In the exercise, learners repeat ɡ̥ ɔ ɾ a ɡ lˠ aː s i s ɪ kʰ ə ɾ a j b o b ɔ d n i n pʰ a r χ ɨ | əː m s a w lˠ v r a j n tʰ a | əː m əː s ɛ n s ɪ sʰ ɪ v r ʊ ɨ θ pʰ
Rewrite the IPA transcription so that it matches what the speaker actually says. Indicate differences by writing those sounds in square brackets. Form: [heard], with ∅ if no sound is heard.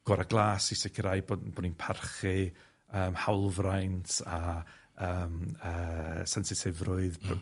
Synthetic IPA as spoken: ɡ̥ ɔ ɾ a ɡ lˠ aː s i s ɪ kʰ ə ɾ a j b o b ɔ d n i n pʰ a r χ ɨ | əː m [h] a w lˠ v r a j n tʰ a | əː m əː s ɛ n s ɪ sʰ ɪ v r ʊ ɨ [ð] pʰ